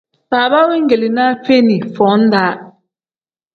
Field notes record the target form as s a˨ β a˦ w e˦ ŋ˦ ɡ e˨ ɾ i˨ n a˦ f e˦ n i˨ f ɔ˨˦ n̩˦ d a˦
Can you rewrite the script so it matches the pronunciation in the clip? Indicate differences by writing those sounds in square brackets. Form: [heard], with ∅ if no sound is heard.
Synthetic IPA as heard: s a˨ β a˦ w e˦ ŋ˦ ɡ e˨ [l] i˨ n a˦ f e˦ n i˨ f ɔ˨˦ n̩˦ d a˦